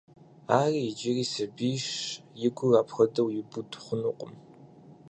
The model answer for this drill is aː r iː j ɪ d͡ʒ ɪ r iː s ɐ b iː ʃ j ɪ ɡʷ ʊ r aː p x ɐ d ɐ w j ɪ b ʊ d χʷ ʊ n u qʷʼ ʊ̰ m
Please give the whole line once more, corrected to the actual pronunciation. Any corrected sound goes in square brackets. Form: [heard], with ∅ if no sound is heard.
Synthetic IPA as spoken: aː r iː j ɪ d͡ʒ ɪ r iː s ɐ b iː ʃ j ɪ ɡʷ ʊ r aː p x ɐ d ɐ w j ɪ b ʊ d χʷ ʊ n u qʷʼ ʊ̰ m

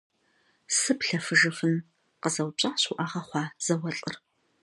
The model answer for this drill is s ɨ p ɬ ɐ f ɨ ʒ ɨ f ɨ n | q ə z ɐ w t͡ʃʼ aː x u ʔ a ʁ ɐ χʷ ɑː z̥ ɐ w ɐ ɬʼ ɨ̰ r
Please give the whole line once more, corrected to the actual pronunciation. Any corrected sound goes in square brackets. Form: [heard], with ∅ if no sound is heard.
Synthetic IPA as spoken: s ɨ p ɬ ɐ f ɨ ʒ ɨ f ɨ n | q ə z ɐ w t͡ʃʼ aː [ɕ] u ʔ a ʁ ɐ χʷ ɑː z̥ ɐ w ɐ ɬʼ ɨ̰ r

